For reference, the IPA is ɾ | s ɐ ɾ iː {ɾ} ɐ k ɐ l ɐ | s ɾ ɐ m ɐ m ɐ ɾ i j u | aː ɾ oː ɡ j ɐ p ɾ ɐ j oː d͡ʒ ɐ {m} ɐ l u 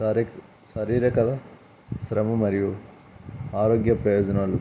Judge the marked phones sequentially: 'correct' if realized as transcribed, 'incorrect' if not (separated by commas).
correct, incorrect